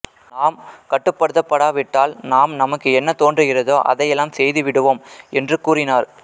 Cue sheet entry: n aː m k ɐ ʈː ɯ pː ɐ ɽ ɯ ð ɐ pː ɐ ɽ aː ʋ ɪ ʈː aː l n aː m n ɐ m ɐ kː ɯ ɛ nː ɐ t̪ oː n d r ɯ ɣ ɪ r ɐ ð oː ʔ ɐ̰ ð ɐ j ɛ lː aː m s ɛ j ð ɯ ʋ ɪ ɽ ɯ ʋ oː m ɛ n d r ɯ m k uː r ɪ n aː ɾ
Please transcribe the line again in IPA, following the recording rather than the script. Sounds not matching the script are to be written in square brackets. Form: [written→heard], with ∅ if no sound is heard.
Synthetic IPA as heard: n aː m k ɐ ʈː ɯ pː ɐ ɽ ɯ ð ɐ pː ɐ ɽ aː ʋ ɪ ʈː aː l n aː m n ɐ m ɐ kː ɯ ɛ nː ɐ t̪ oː n d r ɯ ɣ ɪ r ɐ ð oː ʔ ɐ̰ ð ɐ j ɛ lː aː m s ɛ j ð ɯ ʋ ɪ ɽ ɯ ʋ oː m ɛ n d r ɯ [m→∅] k uː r ɪ n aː ɾ